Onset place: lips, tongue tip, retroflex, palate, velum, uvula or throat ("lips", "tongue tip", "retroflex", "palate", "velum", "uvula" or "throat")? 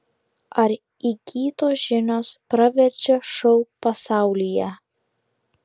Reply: tongue tip